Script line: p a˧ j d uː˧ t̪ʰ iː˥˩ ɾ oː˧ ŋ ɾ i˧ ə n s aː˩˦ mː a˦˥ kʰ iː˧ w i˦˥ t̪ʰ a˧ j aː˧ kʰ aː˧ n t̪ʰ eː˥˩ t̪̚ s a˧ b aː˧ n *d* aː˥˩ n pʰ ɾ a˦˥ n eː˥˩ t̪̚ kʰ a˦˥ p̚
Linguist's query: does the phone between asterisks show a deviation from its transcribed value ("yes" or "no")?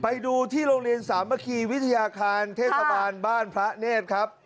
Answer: yes